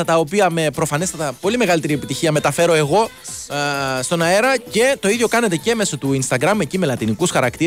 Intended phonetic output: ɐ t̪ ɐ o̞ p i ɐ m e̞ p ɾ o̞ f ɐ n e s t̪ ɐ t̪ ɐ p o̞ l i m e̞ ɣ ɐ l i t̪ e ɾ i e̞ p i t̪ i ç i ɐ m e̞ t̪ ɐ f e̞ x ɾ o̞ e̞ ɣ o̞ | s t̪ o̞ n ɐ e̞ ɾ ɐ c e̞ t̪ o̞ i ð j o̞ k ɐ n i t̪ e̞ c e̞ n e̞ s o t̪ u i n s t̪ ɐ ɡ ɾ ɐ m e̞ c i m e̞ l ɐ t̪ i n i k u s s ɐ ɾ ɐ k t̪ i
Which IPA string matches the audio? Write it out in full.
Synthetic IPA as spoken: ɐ t̪ ɐ o̞ p i ɐ m e̞ p ɾ o̞ f ɐ n e s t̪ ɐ t̪ ɐ p o̞ l i m e̞ ɣ ɐ l i t̪ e ɾ i e̞ p i t̪ i ç i ɐ m e̞ t̪ ɐ f e̞ ɾ o̞ e̞ ɣ o̞ | s t̪ o̞ n ɐ e̞ ɾ ɐ c e̞ t̪ o̞ i ð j o̞ k ɐ n e t̪ e̞ c e̞ m e̞ s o t̪ u i n s t̪ ɐ ɡ ɾ ɐ m e̞ c i m e̞ l ɐ t̪ i n i k u s x ɐ ɾ ɐ k t̪ i